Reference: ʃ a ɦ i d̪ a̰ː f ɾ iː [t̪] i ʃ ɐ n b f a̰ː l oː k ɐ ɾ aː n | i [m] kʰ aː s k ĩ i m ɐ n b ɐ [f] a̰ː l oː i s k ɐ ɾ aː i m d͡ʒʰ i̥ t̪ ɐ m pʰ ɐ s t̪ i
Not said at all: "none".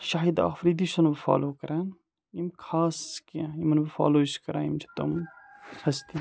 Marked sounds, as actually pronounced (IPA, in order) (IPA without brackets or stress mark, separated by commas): d̪, m, f